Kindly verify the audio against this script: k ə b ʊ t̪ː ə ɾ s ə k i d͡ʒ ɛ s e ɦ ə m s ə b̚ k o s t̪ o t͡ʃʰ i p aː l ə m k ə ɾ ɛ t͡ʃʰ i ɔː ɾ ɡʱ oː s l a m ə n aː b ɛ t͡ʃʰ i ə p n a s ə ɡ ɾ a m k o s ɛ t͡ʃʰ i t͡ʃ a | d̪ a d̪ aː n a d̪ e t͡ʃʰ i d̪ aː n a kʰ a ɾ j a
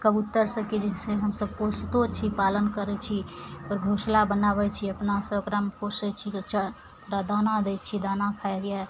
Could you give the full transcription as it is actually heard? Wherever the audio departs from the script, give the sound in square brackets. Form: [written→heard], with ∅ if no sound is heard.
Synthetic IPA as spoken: k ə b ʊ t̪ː ə ɾ s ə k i d͡ʒ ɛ s e ɦ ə m s ə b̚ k o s t̪ o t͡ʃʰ i p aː l ə [m→n] k ə ɾ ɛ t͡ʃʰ i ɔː ɾ ɡʱ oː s l a [m→b] ə n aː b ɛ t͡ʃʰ i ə p n a s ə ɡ ɾ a m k o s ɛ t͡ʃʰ i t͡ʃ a | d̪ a d̪ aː n a d̪ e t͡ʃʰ i d̪ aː n a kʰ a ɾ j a